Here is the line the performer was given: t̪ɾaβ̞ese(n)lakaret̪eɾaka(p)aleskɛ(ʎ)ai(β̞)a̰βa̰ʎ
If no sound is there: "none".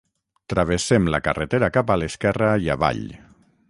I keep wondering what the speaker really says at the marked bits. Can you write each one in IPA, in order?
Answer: m, p, r, none

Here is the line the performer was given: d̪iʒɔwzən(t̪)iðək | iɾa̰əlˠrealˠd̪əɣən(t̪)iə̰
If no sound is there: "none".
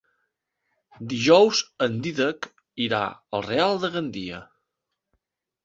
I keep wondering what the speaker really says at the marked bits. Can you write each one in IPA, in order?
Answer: d̪, d̪

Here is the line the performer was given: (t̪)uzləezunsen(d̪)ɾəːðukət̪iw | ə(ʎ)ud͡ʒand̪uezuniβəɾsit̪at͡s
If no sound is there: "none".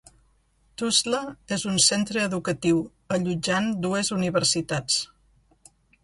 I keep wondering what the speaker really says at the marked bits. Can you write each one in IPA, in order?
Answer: t̪, t̪, ʎ

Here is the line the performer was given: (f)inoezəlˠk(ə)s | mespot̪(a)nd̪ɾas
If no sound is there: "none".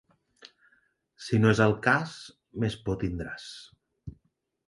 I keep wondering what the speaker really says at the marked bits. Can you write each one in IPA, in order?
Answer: s, a, i

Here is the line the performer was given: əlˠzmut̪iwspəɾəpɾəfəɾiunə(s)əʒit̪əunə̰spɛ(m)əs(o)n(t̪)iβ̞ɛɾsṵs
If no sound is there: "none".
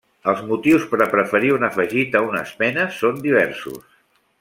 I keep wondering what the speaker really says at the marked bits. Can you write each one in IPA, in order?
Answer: f, n, o, d̪

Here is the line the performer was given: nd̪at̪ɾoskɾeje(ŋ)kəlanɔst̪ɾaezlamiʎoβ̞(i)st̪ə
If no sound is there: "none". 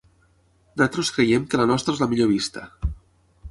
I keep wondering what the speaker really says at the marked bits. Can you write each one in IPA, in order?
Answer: m, i

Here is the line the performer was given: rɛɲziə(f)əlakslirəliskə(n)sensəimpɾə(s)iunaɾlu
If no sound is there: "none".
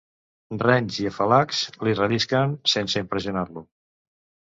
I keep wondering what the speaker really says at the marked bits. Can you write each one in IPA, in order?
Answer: f, n, z

